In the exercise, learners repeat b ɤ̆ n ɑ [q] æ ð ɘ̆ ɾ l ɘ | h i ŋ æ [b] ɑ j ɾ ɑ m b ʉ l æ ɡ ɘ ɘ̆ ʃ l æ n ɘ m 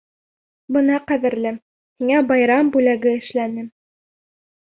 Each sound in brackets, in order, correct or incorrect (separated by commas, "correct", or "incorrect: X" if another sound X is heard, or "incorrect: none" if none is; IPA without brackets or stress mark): correct, correct